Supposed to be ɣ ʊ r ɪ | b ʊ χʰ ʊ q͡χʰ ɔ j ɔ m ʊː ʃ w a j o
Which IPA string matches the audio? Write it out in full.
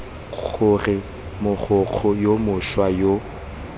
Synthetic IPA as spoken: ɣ ʊ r ɪ | m ʊ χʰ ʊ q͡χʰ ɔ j o m ʊ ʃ w a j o